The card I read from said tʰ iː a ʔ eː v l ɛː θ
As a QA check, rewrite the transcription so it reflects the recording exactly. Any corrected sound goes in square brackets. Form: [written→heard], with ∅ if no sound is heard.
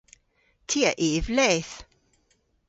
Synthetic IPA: tʰ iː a ʔ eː v l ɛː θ